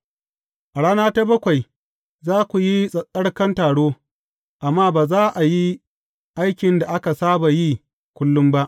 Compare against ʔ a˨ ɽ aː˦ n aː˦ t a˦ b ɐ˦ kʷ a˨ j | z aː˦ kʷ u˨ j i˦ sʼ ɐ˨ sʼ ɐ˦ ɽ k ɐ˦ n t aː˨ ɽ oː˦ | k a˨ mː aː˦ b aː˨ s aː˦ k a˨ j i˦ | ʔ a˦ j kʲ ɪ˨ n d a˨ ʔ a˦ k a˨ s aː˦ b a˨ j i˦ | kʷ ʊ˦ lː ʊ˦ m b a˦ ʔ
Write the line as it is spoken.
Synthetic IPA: ʔ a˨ ɽ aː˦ n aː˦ t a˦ b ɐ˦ kʷ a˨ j | z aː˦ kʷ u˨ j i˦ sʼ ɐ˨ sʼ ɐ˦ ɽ k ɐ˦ n t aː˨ ɽ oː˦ | ʔ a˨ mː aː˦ b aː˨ z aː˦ ʔ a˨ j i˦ | ʔ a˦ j kʲ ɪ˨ n d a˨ ʔ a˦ k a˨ s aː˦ b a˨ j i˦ | kʷ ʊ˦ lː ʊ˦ m b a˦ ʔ

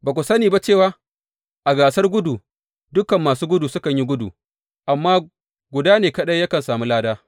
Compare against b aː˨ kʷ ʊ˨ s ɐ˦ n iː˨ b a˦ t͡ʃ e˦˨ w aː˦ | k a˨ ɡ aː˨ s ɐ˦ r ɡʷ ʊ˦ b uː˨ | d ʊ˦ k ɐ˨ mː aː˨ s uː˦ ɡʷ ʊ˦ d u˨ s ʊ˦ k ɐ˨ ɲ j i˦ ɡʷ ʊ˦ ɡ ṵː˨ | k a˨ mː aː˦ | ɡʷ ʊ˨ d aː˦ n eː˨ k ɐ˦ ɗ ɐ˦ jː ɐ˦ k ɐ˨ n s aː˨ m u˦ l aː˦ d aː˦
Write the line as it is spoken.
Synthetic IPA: b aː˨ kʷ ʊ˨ s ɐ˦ n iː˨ b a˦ t͡ʃ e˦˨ w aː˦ | ʔ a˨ ɡ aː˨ s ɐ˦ r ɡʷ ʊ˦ d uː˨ | d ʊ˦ k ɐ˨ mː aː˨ s uː˦ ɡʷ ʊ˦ d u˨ s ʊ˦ k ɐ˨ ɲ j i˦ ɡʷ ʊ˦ d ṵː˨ | ʔ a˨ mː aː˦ | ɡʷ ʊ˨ d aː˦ n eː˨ k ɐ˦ ɗ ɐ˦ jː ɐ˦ k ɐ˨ n s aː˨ m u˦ l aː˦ d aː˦

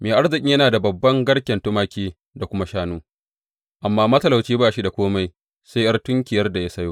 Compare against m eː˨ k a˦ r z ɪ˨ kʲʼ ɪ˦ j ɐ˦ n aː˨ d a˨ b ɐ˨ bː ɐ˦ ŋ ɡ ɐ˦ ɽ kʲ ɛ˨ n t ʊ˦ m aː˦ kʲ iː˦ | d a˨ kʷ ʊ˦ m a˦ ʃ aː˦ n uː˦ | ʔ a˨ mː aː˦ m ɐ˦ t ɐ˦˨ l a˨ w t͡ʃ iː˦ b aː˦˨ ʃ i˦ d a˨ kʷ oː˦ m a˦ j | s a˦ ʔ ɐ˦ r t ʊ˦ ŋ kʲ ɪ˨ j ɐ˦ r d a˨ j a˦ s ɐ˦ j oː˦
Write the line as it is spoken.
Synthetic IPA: m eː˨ ʔ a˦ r z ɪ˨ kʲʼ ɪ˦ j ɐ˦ n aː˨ d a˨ b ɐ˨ bː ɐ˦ ŋ ɡ ɐ˦ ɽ kʲ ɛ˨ n t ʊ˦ m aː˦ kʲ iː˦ | d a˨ kʷ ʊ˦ m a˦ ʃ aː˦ n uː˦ | ʔ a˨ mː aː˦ m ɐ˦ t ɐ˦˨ l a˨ w t͡ʃ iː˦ b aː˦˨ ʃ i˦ d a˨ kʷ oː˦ m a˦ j | s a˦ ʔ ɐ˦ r t ʊ˦ ŋ kʲ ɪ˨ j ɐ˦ r d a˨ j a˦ s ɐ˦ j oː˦

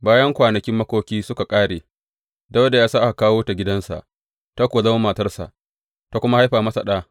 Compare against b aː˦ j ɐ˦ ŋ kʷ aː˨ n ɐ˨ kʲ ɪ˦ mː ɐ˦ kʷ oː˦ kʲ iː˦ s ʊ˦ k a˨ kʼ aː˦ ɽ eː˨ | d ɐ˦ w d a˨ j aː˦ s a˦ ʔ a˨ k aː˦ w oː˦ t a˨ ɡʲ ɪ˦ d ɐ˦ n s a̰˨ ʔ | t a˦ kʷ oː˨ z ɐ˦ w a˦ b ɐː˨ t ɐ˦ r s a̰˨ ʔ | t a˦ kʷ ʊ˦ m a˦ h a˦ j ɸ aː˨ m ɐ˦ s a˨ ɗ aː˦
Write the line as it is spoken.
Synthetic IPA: b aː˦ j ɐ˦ ŋ kʷ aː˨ n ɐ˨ kʲ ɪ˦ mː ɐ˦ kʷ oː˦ kʲ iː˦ s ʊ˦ k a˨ kʼ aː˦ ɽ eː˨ | d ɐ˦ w d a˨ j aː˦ s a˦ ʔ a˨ k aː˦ w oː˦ t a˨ ɡʲ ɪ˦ d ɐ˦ n s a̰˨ ʔ | t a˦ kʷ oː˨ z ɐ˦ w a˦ m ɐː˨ t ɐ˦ r s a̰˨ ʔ | t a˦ kʷ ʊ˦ m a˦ h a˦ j ɸ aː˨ m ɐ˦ s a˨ ɗ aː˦

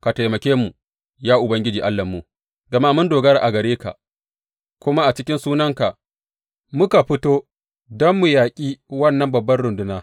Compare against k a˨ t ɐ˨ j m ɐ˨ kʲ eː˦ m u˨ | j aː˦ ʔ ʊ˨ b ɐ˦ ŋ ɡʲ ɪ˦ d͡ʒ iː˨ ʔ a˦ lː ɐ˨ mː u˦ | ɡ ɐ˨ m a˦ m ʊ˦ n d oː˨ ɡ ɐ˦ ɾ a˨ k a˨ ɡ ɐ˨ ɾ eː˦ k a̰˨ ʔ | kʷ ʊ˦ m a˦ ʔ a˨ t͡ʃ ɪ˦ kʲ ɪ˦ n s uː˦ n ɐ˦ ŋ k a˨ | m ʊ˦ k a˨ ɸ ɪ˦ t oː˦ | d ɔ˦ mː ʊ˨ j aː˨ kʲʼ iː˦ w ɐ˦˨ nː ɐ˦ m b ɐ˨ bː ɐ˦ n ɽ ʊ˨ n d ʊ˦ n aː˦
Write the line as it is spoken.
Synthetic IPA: k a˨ t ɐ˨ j m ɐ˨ kʲ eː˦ m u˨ | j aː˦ ʔ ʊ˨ b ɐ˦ ŋ ɡʲ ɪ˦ d͡ʒ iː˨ ʔ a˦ lː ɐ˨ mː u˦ | ɡ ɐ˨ m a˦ m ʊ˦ n d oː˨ ɡ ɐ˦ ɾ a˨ ʔ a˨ ɡ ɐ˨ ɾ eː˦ k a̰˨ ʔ | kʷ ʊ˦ m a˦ ʔ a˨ t͡ʃ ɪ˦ kʲ ɪ˦ n s uː˦ n ɐ˦ ŋ k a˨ | m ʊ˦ k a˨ ɸ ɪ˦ t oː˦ | d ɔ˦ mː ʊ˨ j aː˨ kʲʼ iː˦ w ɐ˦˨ nː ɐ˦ m b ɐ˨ bː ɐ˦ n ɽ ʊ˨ n d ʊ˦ n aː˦

